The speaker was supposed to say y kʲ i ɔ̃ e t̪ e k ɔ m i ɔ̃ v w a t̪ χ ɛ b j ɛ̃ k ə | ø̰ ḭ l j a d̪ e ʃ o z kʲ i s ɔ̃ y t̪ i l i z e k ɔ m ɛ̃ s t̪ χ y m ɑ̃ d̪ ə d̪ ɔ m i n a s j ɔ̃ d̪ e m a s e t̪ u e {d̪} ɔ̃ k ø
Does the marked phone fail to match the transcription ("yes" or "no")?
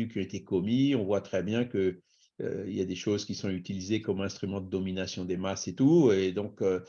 no